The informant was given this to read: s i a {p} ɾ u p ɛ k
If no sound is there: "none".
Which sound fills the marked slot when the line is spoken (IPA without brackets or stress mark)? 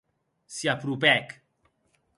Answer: p